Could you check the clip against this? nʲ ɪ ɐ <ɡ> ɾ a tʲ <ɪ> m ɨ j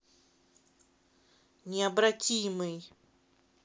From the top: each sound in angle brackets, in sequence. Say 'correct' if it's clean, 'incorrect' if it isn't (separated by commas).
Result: incorrect, incorrect